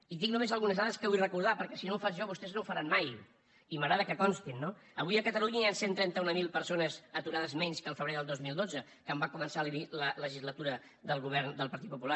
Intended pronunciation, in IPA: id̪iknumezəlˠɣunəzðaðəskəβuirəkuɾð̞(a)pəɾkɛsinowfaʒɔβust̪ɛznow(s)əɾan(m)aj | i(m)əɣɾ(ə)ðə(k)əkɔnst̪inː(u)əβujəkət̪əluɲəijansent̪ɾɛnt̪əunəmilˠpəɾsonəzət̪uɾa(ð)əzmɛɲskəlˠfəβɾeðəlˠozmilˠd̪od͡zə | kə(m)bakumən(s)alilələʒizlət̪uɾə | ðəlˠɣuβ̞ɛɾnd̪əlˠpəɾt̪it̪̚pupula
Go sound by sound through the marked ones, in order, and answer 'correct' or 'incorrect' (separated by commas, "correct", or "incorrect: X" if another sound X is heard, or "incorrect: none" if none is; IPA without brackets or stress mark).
correct, incorrect: f, correct, correct, incorrect: a, correct, incorrect: o, correct, correct, correct